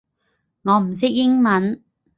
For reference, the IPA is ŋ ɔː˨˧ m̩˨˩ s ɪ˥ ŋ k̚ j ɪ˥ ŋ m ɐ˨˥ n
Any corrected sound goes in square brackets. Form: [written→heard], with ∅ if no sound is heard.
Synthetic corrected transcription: ŋ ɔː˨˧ m̩˨˩ s ɪ˥ [ŋ→∅] k̚ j ɪ˥ ŋ m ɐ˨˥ n